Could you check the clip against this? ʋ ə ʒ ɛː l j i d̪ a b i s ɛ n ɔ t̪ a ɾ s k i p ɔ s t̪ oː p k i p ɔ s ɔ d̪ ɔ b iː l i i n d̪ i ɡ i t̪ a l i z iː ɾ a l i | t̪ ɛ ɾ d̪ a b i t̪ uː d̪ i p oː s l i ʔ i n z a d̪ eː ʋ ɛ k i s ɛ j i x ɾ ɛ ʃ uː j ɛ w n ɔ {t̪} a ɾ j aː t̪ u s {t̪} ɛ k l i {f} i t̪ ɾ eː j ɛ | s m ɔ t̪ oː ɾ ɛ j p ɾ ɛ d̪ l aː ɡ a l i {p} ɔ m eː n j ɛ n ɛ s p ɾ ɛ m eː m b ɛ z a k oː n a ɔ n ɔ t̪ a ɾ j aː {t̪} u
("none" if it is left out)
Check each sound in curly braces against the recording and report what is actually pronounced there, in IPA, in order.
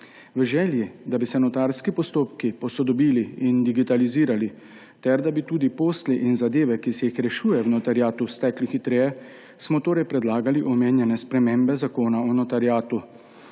t̪, t̪, x, ʔ, t̪

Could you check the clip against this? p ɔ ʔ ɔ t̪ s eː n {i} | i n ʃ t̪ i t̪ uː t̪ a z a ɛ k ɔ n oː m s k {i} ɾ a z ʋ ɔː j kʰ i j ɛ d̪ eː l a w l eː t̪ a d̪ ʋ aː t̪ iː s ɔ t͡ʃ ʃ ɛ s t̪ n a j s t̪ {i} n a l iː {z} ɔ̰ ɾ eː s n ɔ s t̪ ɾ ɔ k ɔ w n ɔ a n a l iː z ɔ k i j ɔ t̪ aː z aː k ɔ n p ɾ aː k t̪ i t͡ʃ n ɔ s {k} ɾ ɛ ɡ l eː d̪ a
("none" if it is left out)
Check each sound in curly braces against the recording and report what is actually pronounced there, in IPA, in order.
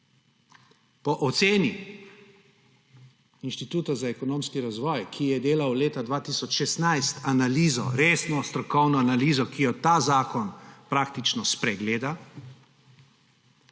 i, i, a, z, p

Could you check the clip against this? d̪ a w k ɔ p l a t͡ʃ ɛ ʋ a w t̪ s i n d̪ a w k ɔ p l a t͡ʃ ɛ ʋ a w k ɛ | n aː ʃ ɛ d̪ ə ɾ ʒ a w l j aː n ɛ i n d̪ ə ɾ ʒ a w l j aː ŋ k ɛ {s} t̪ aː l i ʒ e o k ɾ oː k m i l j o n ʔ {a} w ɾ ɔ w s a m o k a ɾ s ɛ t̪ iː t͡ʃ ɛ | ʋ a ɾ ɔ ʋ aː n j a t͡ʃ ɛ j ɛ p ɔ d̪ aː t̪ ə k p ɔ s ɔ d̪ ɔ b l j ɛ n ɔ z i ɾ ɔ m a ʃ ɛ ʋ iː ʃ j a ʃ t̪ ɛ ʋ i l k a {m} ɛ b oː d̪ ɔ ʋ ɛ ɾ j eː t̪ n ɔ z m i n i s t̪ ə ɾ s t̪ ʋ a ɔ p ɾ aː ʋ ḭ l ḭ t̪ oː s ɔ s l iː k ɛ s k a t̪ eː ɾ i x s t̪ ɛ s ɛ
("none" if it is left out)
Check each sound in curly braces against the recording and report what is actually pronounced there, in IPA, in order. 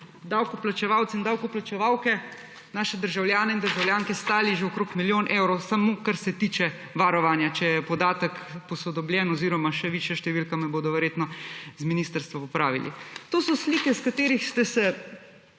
s, e, m

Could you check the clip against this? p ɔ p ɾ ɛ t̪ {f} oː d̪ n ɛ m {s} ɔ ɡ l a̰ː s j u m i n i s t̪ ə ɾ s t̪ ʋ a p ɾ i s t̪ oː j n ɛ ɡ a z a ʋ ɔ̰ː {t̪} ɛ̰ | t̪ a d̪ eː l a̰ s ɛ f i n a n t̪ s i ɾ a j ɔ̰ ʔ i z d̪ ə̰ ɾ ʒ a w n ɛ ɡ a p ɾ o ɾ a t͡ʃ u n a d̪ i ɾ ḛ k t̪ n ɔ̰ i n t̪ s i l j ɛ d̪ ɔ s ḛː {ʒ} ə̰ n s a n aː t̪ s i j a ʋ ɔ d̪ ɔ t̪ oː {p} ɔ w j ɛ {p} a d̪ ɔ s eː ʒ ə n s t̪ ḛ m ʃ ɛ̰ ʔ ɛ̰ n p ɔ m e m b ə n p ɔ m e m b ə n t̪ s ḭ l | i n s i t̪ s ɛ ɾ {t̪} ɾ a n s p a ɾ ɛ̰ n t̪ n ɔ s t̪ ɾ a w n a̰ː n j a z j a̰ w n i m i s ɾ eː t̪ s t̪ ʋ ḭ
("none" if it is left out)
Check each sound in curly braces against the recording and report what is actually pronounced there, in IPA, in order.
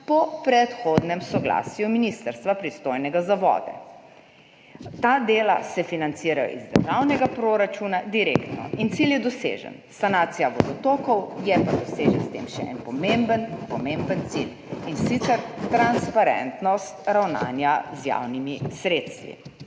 x, s, d̪, ʒ, k, p, t̪

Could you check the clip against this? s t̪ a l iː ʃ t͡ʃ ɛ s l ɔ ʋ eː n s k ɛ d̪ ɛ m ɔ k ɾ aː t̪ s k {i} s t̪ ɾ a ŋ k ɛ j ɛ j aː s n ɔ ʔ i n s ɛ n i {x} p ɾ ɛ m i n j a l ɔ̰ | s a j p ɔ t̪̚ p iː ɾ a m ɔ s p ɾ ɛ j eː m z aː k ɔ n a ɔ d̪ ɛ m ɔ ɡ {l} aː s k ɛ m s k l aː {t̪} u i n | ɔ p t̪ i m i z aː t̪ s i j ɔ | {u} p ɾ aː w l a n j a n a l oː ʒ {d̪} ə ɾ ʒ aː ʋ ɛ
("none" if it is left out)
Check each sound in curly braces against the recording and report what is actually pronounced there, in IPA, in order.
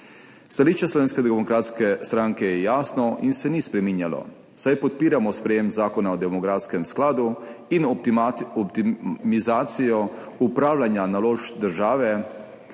ɛ, s, ɾ, d̪, u, d̪

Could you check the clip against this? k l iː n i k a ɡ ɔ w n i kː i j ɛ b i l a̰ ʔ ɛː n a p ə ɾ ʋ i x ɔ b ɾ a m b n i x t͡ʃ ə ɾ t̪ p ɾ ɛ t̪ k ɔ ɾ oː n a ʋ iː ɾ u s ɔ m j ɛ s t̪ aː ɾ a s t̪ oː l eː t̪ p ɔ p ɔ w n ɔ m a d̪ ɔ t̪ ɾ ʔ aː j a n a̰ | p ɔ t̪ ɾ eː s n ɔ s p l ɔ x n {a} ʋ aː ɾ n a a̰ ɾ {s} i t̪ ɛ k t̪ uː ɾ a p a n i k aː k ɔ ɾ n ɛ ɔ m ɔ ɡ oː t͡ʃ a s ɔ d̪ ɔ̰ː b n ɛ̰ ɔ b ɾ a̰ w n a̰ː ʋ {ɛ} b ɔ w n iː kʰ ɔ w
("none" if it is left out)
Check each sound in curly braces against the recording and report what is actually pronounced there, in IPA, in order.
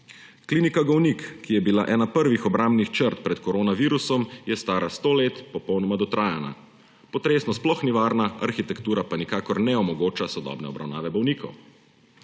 i, x, ɛ

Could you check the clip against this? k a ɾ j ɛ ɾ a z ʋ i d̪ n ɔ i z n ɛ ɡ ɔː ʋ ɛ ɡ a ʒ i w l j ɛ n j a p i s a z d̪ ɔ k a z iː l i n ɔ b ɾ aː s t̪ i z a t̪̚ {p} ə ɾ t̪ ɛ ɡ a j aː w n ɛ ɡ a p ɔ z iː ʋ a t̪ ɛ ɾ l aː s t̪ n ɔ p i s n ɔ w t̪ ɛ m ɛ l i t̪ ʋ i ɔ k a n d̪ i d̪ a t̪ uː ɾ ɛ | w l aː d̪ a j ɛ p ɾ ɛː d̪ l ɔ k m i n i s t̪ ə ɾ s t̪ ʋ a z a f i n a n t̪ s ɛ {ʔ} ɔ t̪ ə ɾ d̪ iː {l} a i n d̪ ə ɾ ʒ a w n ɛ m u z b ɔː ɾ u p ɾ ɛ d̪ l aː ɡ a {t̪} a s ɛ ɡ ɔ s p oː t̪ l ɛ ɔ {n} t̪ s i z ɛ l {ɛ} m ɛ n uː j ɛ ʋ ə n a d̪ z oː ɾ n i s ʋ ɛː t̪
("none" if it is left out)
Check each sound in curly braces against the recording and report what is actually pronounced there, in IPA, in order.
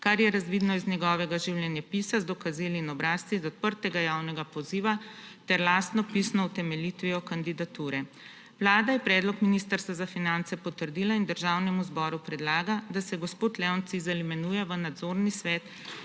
p, p, l, d̪, n, i

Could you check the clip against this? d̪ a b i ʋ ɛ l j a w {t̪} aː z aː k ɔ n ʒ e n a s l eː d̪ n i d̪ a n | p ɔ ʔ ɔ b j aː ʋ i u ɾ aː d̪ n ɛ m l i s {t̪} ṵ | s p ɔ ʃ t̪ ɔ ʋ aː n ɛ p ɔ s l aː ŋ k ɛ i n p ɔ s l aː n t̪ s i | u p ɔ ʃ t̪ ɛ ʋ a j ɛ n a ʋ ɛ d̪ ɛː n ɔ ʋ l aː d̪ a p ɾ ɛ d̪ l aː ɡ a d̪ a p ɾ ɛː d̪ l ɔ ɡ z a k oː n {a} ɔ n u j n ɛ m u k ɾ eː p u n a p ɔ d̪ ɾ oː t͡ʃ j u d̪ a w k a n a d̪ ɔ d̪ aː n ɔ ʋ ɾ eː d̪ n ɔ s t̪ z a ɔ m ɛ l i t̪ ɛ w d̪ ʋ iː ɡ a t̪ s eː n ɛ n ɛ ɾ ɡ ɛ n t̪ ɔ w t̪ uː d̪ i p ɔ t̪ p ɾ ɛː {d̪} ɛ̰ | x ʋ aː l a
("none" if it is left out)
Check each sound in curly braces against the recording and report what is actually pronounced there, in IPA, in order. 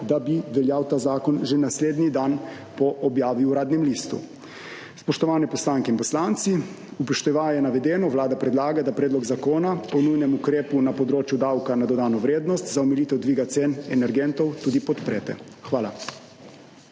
t̪, t̪, a, t̪

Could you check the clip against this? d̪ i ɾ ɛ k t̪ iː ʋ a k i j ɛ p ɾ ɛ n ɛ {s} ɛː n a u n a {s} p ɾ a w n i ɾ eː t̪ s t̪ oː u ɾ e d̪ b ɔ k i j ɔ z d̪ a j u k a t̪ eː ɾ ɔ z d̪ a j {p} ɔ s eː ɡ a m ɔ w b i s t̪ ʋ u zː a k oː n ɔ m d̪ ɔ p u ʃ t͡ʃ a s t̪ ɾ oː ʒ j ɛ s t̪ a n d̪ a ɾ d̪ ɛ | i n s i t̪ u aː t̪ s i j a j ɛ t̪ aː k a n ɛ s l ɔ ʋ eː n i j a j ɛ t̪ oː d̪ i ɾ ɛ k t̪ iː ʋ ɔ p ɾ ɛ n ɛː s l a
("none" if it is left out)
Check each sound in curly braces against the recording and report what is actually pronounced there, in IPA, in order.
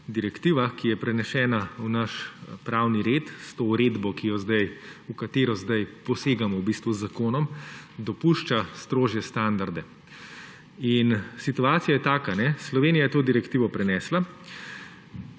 ʃ, ʃ, p

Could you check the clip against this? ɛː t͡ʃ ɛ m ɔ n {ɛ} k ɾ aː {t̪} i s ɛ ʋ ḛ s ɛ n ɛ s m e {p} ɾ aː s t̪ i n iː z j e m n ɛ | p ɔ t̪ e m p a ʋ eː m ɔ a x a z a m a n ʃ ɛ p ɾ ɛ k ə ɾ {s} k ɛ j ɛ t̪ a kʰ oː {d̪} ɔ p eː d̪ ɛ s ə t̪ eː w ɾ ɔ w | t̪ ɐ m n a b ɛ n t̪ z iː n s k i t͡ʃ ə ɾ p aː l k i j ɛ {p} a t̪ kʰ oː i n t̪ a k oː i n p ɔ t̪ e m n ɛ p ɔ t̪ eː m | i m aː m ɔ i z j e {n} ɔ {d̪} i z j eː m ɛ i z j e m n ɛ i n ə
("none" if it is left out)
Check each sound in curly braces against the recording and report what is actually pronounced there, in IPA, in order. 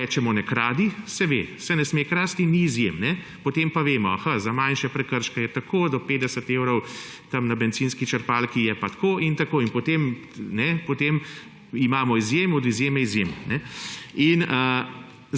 ɛ, d̪, k, ʃ, d̪, p, m, d̪

